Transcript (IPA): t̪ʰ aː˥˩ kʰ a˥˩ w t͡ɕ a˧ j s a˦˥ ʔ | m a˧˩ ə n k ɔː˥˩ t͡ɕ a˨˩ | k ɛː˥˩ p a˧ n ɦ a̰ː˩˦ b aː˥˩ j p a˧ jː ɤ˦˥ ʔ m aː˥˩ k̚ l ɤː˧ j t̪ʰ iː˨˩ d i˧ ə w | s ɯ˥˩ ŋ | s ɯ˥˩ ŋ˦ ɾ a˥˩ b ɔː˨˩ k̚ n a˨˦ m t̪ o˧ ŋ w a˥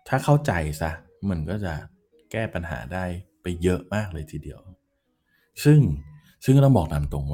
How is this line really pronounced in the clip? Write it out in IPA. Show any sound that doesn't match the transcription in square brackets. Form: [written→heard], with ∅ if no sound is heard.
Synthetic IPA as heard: t̪ʰ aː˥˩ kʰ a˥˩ w t͡ɕ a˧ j s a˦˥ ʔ | m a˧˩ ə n k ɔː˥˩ t͡ɕ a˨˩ | k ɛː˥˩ p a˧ n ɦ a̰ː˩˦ [b→d] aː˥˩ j p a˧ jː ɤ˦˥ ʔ m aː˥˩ k̚ l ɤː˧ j t̪ʰ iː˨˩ d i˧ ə w | s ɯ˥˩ ŋ | s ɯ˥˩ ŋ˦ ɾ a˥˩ b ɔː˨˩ k̚ n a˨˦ m t̪ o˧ ŋ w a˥